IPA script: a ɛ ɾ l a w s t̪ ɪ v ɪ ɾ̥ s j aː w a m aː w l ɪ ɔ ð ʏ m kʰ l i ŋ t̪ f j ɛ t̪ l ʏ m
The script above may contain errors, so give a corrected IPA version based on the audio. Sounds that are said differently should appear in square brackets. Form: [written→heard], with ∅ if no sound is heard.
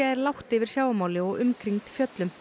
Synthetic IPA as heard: a ɛ ɾ l a w [s→h] t̪ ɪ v ɪ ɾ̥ s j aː w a m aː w l ɪ ɔ [ð→ɣ] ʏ m kʰ [l→ɾ] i ŋ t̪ f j [ɛ→œ] t̪ l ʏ m